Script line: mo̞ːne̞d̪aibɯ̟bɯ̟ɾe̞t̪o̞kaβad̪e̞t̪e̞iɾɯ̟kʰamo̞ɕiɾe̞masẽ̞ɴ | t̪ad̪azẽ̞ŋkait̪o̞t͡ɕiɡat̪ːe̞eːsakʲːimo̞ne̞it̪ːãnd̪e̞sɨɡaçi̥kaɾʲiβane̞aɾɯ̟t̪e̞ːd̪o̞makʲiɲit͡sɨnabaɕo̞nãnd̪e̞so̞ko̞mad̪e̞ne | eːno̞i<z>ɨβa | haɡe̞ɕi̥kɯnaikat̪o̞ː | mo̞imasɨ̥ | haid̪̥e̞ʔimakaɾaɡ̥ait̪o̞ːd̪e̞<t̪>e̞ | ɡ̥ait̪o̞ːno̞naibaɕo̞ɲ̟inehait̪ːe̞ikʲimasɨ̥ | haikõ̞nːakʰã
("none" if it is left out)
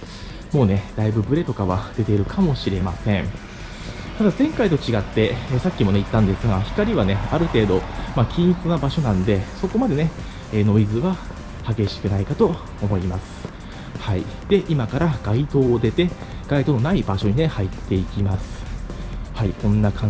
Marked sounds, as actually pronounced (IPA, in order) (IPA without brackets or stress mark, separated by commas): z, t̪